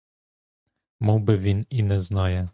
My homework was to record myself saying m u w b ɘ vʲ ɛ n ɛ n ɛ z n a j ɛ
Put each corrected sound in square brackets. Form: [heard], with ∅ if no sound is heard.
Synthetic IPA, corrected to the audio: m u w b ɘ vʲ [i] n [i] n ɛ z n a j ɛ